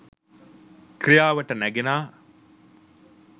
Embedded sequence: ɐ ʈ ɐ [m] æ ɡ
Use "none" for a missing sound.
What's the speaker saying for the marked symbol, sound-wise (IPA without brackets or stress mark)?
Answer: n